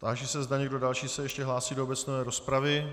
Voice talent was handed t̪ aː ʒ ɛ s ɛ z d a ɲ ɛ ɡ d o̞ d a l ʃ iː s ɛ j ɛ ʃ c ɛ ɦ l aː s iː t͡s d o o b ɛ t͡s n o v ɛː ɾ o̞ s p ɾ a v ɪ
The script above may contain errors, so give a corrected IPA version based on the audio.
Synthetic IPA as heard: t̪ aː ʒ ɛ s ɛ z d a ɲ ɛ ɡ d o̞ d a l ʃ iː s ɛ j ɛ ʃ c ɛ ɦ l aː s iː d o o b ɛ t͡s n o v ɛː ɾ o̞ s p ɾ a v ɪ